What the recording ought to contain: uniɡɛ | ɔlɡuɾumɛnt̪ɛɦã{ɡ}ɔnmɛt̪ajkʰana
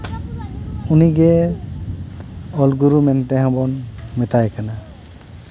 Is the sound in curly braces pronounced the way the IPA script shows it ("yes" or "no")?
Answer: no